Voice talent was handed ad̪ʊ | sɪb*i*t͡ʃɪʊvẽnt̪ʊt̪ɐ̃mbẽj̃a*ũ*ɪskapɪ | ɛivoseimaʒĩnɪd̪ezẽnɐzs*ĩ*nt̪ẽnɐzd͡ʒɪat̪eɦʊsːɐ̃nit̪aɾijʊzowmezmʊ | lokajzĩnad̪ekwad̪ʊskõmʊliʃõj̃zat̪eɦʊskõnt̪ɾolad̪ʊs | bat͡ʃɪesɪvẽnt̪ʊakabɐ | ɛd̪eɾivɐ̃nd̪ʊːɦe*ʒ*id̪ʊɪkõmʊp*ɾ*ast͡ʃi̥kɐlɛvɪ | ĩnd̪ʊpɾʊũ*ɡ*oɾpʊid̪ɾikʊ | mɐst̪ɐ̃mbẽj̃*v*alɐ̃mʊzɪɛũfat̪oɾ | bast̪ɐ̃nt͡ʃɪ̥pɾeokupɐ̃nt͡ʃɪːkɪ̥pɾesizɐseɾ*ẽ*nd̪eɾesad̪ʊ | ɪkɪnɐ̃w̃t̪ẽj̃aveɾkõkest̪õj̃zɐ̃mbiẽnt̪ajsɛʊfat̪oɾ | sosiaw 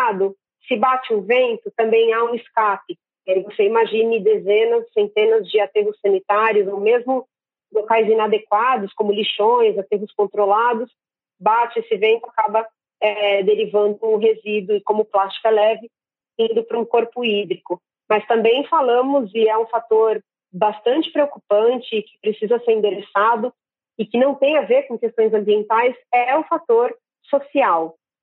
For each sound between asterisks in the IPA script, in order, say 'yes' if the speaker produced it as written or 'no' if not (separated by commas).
no, yes, no, no, no, no, no, no